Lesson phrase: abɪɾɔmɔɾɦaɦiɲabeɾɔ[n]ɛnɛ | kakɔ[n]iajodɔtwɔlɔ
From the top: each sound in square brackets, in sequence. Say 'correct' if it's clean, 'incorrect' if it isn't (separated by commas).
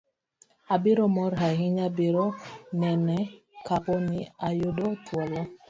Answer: correct, correct